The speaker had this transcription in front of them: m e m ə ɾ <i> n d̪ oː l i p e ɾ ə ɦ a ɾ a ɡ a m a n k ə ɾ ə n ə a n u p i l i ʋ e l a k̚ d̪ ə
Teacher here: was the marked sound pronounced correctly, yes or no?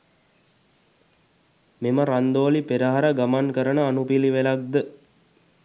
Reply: no